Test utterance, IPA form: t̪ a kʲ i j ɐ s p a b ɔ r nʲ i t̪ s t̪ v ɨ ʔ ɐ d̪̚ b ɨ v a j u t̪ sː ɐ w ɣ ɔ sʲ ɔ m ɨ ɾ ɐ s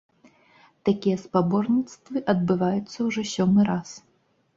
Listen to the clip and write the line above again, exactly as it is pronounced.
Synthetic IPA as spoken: t̪ a kʲ i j ɐ s p a b ɔ r nʲ i t̪ s t̪ v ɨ ʔ ɐ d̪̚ b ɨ v a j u t̪ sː ɐ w ʐ ɔ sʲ ɔ m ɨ ɾ a s

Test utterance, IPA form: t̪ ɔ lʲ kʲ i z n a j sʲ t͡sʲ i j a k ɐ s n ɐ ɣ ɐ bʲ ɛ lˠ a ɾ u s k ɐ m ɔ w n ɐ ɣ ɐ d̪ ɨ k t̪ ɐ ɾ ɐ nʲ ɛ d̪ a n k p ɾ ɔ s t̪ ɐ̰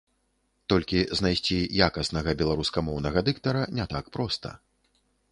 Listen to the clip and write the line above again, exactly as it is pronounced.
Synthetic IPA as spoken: t̪ ɔ lʲ kʲ i z n a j sʲ t͡sʲ i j a k ɐ s n ɐ ɣ ɐ bʲ ɛ lˠ a ɾ u s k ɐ m ɔ w n ɐ ɣ ɐ d̪ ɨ k t̪ ɐ ɾ ɐ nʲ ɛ t̪ a k p ɾ ɔ s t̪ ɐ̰

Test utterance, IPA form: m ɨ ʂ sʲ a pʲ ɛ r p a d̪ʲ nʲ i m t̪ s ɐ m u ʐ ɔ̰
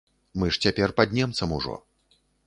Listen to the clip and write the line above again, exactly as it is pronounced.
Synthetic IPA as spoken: m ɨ ʂ t͡sʲ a pʲ ɛ r p a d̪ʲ nʲ ɛ m t̪ s ɐ m u ʐ ɔ̰

